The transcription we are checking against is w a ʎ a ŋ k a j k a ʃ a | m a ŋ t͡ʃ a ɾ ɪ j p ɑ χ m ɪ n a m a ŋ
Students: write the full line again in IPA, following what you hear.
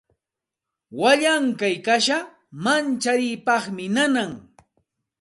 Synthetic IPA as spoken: w a ʎ a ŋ k a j k a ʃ a | m a n t͡ʃ a ɾ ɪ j p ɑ χ m ɪ n a n a ŋ